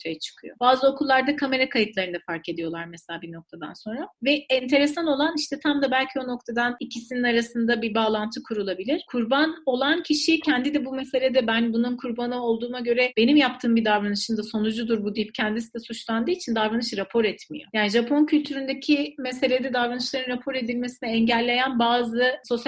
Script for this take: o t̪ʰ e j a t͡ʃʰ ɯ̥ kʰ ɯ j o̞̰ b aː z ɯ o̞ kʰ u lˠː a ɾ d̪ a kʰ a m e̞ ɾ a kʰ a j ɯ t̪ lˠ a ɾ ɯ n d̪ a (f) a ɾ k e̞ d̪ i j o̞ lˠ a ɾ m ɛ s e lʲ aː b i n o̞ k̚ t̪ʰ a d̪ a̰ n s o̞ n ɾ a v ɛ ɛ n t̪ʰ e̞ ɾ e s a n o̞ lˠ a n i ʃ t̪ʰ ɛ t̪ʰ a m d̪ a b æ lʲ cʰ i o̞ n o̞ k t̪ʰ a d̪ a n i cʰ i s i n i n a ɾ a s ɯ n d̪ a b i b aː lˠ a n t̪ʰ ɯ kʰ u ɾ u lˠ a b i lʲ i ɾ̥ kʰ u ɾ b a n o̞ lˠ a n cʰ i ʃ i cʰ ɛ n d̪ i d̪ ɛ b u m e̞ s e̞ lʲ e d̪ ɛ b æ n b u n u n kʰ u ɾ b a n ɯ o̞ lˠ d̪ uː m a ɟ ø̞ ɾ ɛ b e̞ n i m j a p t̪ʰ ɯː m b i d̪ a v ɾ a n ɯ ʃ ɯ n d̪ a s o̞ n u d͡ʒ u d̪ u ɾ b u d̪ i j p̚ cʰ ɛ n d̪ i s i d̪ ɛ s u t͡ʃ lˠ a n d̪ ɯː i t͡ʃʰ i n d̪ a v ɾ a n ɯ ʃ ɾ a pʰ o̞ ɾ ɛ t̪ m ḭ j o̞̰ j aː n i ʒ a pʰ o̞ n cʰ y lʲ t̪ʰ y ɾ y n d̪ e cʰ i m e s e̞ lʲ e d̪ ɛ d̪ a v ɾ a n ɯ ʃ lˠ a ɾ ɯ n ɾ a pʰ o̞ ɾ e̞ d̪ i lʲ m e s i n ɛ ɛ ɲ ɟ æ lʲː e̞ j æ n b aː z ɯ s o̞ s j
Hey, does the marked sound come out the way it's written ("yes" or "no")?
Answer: yes